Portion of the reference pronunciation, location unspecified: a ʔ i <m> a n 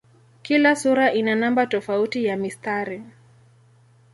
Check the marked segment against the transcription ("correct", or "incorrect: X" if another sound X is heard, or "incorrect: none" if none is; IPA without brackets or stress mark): incorrect: n